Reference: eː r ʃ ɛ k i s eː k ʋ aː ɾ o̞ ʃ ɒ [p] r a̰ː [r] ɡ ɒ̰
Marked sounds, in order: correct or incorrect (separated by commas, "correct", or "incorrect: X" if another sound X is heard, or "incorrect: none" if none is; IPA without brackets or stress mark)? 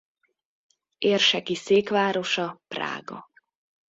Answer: correct, incorrect: none